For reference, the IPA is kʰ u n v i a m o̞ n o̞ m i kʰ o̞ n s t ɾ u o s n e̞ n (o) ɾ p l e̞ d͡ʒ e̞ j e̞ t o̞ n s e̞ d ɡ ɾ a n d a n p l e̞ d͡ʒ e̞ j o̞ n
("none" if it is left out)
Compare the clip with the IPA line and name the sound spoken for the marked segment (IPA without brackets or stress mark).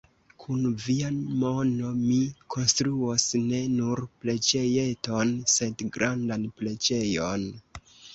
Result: u